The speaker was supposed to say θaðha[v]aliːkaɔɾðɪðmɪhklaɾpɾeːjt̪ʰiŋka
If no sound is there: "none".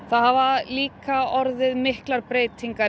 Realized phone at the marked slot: v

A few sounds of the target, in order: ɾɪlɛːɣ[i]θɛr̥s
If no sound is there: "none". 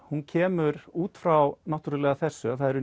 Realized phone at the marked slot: a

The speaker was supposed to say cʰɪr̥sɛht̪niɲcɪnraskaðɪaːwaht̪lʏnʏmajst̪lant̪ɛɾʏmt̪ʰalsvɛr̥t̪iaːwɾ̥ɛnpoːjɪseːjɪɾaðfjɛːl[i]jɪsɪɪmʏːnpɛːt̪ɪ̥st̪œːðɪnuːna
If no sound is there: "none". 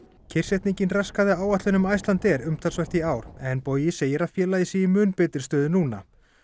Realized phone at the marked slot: a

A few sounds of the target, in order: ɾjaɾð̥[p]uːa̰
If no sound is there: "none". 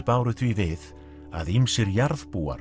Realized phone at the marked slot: p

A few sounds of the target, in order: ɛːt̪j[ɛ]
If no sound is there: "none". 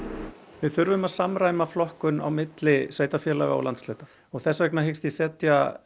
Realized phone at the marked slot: a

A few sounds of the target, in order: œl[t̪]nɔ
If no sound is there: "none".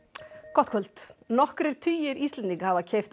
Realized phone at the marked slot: t̪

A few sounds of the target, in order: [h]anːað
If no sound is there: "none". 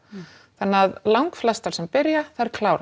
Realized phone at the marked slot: θ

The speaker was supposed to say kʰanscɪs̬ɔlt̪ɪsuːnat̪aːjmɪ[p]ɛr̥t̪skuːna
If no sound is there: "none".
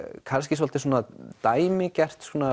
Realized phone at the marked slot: c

